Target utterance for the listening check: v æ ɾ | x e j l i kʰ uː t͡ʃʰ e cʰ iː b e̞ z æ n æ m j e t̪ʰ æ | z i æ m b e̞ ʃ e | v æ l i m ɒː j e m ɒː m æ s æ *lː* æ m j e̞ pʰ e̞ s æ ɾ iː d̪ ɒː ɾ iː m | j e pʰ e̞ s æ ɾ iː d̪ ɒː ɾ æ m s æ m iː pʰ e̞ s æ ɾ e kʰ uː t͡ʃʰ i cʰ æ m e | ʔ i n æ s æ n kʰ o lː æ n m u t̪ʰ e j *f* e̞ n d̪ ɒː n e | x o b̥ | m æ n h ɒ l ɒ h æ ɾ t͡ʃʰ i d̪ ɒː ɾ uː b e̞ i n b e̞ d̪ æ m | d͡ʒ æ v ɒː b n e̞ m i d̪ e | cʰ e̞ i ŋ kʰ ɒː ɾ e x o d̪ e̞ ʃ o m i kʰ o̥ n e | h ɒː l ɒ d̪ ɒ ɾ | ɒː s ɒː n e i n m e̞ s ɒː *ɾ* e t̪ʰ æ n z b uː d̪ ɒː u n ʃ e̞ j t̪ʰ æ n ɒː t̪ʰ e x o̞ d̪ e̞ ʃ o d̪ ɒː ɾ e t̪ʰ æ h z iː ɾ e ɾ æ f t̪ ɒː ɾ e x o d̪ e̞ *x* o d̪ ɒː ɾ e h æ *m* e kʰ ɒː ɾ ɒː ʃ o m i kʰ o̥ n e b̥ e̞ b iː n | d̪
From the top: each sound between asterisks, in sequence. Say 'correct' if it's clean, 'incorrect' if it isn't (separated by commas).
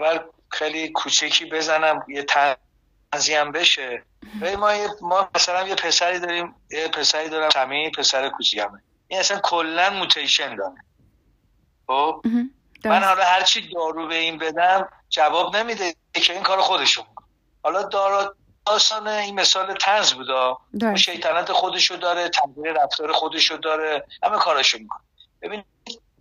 incorrect, incorrect, incorrect, incorrect, correct